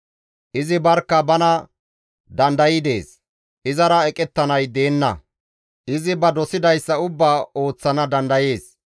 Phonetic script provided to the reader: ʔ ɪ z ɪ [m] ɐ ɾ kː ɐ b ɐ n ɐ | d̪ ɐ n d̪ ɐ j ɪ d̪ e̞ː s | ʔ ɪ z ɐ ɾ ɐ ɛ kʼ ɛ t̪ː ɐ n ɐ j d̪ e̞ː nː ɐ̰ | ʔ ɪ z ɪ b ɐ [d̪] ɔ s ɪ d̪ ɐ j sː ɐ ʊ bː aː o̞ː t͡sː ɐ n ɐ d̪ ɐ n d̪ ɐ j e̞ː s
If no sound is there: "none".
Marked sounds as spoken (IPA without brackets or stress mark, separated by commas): b, d̪